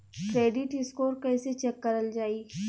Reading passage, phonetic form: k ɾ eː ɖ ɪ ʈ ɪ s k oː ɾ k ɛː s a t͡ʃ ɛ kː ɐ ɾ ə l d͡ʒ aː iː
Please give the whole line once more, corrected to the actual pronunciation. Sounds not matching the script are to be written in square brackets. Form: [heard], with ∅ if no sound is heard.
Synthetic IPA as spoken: k ɾ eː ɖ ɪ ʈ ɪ s k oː ɾ k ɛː s [e] t͡ʃ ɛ kː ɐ ɾ ə l d͡ʒ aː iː